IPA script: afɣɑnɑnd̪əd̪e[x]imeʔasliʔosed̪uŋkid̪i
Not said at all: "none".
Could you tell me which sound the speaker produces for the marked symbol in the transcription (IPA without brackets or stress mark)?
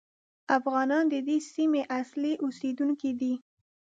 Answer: s